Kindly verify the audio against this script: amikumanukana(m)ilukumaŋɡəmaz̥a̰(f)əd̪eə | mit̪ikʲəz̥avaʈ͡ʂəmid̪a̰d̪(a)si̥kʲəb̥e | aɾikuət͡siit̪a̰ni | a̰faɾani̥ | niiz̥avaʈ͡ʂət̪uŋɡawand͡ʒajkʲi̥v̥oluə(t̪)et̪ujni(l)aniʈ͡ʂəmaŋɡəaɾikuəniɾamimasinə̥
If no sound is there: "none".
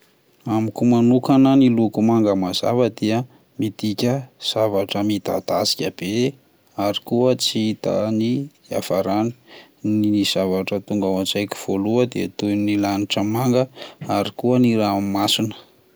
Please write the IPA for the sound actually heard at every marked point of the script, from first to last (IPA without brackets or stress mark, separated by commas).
n, v, a, d̪, l